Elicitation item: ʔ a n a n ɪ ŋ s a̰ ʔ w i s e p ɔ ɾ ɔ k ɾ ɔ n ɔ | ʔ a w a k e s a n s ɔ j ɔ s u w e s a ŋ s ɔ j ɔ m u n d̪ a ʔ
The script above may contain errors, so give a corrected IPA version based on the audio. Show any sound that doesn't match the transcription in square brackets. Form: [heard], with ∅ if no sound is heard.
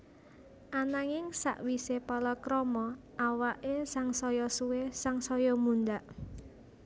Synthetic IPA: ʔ a n a [ŋ] ɪ ŋ s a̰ ʔ w i s e p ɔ [l] ɔ k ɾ ɔ [m] ɔ | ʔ a w a [ʔ] e s a [ŋ] s ɔ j ɔ s u w e s a ŋ s ɔ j ɔ m u n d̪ a ʔ